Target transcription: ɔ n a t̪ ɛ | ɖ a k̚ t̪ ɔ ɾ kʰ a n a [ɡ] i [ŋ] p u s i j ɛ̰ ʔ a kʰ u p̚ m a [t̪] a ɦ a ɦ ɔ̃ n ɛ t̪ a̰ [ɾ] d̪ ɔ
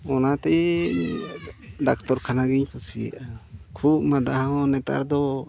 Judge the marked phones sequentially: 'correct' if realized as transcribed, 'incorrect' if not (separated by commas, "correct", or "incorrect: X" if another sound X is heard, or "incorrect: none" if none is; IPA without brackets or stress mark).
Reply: correct, incorrect: ɲ, incorrect: d̪, correct